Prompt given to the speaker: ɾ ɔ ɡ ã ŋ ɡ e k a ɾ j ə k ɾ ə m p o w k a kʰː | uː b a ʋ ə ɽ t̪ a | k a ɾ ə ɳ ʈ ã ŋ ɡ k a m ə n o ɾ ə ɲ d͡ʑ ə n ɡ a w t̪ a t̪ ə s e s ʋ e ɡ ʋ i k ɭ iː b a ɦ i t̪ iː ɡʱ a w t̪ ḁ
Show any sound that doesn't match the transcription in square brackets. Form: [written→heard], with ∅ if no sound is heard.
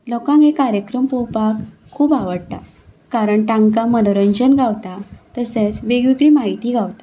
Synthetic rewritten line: [ɾ→l] ɔ [ɡ→k] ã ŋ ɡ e k a ɾ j ə k ɾ ə m p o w [k→p] a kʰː | uː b a ʋ ə ɽ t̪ a | k a ɾ ə ɳ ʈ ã ŋ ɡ k a m ə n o ɾ ə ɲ d͡ʑ ə n ɡ a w t̪ a t̪ ə s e [s→t͡s] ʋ e ɡ ʋ i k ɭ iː [b→m] a ɦ i t̪ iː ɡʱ a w t̪ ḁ